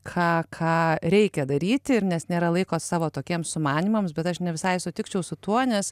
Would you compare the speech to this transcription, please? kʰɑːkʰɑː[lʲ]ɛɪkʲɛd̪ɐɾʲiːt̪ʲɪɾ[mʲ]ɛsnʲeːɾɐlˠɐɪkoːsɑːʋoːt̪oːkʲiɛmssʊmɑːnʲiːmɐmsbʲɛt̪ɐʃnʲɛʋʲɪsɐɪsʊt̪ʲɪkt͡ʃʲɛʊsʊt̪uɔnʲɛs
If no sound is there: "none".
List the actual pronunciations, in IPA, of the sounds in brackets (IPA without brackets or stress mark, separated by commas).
ɾʲ, nʲ